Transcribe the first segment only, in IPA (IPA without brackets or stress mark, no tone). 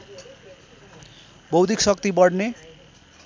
b